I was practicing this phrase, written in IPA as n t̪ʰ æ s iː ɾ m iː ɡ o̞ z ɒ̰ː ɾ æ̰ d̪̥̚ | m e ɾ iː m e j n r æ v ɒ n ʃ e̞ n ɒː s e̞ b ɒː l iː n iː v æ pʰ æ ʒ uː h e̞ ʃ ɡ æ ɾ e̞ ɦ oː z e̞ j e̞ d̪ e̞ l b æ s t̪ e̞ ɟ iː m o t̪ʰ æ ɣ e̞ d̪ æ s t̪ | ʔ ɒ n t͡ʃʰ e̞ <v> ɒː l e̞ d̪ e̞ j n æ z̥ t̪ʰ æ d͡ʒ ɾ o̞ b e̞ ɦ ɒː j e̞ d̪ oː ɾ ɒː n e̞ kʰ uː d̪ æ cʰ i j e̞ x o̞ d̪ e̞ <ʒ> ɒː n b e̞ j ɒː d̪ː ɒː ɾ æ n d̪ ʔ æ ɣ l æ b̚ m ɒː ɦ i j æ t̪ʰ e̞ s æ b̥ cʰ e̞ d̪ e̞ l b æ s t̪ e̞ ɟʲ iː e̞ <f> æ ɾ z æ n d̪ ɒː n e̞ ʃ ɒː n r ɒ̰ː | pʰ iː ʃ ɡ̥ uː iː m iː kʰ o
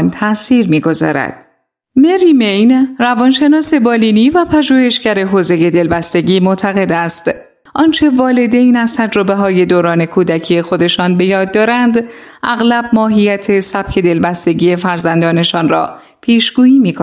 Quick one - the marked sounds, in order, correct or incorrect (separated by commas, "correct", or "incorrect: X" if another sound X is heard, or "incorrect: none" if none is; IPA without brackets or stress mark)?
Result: correct, incorrect: ʃ, correct